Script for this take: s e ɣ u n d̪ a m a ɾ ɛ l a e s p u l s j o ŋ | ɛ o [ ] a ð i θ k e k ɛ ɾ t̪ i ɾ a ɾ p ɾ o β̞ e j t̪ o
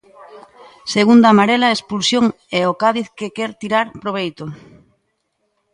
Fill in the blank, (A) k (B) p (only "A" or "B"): A